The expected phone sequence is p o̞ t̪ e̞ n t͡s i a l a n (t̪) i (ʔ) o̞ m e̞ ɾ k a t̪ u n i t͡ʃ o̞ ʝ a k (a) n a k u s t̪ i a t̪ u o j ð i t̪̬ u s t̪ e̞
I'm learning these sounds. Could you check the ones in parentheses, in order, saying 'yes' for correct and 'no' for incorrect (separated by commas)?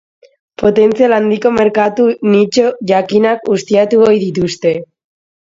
no, no, no